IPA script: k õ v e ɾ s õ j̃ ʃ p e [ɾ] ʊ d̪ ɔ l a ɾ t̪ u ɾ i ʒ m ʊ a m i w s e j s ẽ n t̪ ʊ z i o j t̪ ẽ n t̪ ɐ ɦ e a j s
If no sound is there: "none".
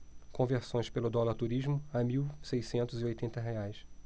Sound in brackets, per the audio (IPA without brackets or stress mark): l